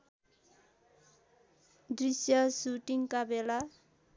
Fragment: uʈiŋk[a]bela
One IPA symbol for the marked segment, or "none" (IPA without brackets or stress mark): a